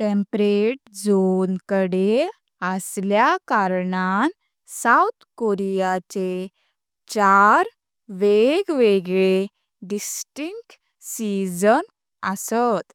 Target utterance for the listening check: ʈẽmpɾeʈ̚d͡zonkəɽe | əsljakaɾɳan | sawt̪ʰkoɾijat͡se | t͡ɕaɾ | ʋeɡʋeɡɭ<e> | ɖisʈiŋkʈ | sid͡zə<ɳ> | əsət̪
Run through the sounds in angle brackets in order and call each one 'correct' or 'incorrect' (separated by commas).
correct, incorrect